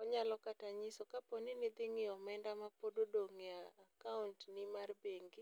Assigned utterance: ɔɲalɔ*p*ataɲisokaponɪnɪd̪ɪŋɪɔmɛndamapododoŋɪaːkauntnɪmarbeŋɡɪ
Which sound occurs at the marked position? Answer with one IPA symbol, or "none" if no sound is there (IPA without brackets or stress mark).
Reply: k